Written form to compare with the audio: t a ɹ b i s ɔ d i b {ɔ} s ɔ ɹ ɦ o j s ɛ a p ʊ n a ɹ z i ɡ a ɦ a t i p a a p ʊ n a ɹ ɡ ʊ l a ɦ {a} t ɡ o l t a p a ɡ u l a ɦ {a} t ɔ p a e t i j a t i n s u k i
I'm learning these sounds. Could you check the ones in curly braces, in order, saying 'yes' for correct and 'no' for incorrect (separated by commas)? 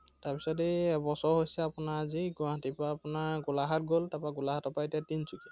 yes, yes, yes